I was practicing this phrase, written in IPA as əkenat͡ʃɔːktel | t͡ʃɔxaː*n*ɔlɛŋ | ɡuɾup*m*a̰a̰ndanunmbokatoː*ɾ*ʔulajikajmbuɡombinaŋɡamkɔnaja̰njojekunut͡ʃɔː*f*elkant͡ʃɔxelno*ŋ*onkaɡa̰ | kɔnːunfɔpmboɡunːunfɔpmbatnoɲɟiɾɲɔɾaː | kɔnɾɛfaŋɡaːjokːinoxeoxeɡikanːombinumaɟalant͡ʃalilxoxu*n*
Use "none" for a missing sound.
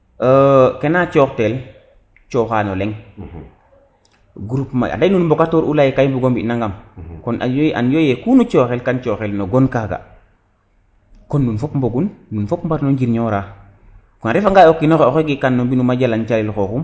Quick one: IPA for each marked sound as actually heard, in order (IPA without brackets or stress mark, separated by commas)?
n, m, ɾ, x, ɡ, m